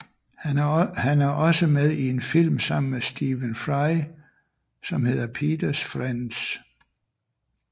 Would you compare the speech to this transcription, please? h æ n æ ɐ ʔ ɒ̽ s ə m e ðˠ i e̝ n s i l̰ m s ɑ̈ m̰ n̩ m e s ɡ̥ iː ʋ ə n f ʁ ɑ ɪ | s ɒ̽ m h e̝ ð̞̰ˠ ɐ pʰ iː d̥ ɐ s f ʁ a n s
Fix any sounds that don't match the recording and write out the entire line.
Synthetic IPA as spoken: h æ n æ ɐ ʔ ɒ̽ s ə m e ðˠ i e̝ n f i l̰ m s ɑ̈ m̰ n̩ m e s d̥ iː ʋ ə n f ʁ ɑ ɪ | s ɒ̽ m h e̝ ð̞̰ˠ ɐ pʰ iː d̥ ɐ s f ʁ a n s

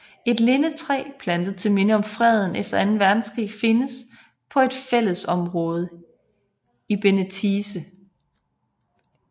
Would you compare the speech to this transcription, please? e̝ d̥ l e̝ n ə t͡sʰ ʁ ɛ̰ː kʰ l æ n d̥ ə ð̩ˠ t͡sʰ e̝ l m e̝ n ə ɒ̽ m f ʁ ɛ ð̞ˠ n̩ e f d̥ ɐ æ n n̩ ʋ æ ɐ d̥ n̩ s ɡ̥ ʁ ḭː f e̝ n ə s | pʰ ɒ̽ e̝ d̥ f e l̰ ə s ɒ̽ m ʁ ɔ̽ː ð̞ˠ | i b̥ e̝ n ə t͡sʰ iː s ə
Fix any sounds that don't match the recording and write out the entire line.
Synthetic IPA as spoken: e̝ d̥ l e̝ n ə t͡sʰ ʁ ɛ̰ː pʰ l æ n d̥ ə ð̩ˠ t͡sʰ e̝ l m e̝ n ə ɒ̽ m f ʁ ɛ ð̞ˠ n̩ e f d̥ ɐ æ n n̩ ʋ æ ɐ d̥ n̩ s ɡ̥ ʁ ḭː f e̝ n ə s | pʰ ɒ̽ e̝ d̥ f e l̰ ə s ɒ̽ m ʁ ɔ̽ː ð̞ˠ | i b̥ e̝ n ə t͡sʰ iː s ə

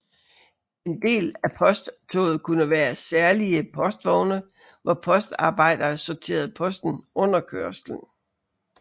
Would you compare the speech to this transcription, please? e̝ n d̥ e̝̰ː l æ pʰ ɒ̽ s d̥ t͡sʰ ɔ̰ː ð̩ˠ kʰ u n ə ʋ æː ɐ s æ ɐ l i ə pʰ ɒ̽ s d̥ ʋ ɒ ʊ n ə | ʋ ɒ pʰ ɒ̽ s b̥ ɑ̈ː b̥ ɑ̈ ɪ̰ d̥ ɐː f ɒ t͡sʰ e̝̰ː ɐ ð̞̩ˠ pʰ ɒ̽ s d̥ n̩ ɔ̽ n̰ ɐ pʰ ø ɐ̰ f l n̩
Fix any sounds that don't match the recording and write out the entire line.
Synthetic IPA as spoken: e̝ n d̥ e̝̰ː l æ pʰ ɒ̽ s d̥ t͡sʰ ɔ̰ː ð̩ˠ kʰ u n ə ʋ æː ɐ s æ ɐ l i ə pʰ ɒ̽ s d̥ ʋ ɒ ʊ n ə | ʋ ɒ pʰ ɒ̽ s d̥ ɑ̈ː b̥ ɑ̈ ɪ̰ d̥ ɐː s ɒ t͡sʰ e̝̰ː ɐ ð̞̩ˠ pʰ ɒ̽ s d̥ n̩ ɔ̽ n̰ ɐ kʰ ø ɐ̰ s l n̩

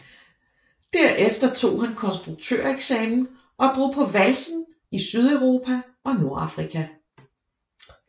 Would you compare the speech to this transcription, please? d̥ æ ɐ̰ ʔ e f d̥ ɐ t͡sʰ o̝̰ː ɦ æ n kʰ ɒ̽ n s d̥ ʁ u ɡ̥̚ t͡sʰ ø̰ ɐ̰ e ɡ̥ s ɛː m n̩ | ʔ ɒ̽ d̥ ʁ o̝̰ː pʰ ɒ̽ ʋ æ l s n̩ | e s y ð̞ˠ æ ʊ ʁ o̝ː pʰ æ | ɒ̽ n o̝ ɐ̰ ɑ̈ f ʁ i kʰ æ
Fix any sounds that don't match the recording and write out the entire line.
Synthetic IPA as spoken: d̥ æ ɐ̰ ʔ e f d̥ ɐ t͡sʰ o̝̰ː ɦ æ n kʰ ɒ̽ n s d̥ ʁ u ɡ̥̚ t͡sʰ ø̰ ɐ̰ e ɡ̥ s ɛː m n̩ | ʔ ɒ̽ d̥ ʁ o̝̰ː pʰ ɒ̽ ʋ æ l s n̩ | i s y ð̞ˠ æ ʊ ʁ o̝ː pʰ æ | ɒ̽ n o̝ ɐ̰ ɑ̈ f ʁ i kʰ æ

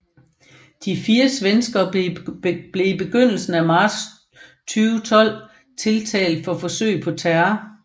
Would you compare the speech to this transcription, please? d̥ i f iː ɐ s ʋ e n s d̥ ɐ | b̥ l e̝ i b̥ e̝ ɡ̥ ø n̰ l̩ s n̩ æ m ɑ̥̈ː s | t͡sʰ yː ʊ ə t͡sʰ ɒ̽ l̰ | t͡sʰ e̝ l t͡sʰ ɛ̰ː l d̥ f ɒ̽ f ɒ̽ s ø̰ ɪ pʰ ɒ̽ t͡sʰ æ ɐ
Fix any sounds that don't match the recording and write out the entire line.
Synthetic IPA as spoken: d̥ i f iː ɐ s ʋ e n s ɡ̥ ɐ | b̥ l e̝ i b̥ e̝ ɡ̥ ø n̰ l̩ s n̩ æ m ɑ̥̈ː s | t͡sʰ yː ʊ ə t͡sʰ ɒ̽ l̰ | t͡sʰ e̝ l t͡sʰ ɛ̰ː l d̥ f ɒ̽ f ɒ̽ s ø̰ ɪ pʰ ɒ̽ t͡sʰ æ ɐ

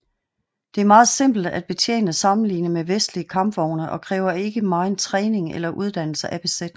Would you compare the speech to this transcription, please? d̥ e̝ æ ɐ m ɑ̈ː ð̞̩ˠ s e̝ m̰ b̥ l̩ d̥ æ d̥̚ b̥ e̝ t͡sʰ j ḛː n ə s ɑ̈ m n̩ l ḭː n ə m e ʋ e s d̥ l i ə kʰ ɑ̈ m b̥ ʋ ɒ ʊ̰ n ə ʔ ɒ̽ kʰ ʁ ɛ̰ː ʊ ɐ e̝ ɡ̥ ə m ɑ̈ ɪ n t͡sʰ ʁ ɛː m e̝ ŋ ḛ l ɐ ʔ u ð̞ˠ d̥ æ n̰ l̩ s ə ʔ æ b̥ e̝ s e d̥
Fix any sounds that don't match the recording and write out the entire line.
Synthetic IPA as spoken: d̥ e̝ æ ɐ m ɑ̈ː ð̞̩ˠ s e̝ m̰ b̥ l̩ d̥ æ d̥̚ b̥ e̝ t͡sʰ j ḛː n ə s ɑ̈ m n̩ l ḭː n ə m e ʋ e s d̥ l i ə kʰ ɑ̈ m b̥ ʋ ɒ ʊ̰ n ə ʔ ɒ̽ kʰ ʁ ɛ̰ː ʊ ɐ e̝ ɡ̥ ə m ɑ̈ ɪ n t͡sʰ ʁ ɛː n e̝ ŋ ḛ l ɐ ʔ u ð̞ˠ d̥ æ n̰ l̩ s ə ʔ æ b̥ e̝ s e d̥

